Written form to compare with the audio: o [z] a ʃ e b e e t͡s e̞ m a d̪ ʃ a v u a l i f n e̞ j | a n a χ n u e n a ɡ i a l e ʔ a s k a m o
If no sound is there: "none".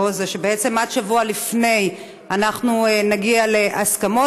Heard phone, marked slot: z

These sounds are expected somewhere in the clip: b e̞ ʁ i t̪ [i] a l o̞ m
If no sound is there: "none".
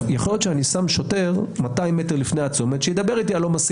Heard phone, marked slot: i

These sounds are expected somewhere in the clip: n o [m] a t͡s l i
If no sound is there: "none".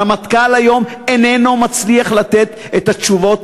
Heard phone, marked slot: m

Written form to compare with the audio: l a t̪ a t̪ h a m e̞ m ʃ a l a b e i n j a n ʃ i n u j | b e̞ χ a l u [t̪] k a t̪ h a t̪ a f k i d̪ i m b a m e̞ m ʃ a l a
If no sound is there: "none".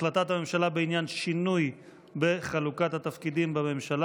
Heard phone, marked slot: none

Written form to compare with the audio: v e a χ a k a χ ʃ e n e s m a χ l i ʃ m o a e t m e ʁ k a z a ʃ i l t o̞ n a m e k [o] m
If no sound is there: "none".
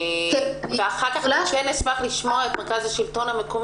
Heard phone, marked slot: o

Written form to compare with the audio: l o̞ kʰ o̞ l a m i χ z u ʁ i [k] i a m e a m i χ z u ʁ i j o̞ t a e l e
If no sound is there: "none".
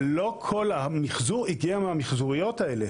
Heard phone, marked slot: ɡ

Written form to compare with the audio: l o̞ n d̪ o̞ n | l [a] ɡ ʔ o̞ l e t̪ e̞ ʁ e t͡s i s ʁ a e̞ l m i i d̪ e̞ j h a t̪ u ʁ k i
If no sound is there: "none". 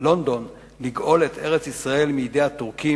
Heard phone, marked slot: i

